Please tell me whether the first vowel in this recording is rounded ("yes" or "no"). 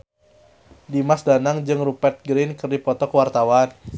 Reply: no